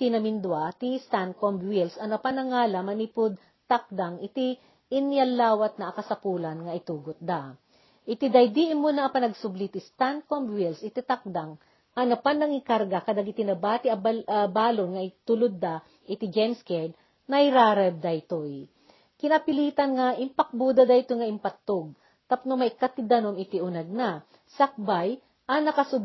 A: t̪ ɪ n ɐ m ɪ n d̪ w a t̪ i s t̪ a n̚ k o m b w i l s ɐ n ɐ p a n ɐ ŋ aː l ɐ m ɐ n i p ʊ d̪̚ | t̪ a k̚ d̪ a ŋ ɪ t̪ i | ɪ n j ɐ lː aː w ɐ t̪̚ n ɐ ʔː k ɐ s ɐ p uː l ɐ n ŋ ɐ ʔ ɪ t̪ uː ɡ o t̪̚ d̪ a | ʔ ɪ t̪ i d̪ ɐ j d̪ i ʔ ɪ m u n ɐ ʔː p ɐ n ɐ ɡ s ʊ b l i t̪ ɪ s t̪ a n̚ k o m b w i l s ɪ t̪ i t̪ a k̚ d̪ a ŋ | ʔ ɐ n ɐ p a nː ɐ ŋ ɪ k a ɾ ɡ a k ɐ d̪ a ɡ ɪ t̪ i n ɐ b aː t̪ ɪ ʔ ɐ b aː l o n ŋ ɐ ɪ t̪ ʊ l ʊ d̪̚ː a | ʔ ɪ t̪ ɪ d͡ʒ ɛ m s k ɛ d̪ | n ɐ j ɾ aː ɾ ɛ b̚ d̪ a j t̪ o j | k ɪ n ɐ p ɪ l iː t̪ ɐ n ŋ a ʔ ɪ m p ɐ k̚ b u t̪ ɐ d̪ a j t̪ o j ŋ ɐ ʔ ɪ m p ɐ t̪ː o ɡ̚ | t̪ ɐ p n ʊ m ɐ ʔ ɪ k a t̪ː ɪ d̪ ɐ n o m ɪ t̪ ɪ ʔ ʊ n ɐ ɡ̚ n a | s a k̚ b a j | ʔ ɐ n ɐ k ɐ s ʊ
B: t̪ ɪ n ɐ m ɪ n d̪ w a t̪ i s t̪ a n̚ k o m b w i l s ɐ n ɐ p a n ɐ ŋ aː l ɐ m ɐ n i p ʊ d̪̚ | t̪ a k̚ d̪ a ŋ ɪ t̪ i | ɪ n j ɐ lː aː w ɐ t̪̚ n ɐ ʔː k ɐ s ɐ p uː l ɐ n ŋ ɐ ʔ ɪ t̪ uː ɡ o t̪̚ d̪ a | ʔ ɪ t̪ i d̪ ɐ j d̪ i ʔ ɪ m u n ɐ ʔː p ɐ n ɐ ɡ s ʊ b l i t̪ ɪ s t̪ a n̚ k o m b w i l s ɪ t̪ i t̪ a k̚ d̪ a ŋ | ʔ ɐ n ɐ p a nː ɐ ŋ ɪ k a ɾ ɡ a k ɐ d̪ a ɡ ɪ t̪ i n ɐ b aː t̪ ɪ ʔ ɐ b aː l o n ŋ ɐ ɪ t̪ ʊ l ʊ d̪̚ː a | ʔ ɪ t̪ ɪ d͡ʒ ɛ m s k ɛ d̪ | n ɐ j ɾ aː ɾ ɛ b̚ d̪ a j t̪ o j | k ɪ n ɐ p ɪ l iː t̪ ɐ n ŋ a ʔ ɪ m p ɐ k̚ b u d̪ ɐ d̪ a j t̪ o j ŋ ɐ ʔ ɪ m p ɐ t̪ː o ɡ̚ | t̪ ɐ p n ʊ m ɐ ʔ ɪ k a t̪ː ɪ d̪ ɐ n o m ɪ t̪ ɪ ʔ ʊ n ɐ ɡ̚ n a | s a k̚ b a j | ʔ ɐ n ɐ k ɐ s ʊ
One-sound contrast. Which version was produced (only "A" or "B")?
B